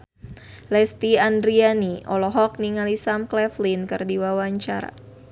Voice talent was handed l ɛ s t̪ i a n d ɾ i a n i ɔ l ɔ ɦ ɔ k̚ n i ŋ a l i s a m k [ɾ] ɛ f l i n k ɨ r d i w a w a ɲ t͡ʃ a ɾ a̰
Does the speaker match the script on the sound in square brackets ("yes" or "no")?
no